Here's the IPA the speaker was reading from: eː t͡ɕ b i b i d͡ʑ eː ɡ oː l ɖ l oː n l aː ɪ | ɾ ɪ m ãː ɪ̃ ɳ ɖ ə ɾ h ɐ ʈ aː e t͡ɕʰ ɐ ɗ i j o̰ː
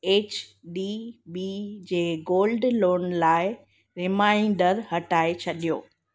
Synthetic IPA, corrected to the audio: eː t͡ɕ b i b i d͡ʑ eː ɡ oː l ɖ l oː n l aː ɪ | ɾ ɪ m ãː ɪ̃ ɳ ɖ ə ɾ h ɐ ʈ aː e t͡ɕʰ ɐ ɗ i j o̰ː